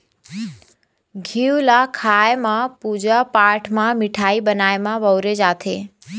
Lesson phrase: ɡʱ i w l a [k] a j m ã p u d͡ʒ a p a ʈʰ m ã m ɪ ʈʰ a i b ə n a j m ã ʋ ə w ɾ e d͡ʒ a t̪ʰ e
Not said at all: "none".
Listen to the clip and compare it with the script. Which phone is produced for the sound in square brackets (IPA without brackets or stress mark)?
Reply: kʰ